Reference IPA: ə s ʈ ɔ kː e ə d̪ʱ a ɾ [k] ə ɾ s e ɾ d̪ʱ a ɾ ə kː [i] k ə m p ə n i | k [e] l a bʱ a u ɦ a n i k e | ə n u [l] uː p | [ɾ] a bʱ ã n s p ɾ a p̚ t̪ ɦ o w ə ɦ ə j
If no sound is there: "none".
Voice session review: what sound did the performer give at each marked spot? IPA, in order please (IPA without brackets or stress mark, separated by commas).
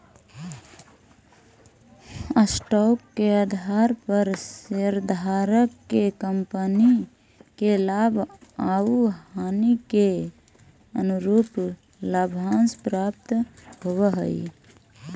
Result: p, e, e, ɾ, l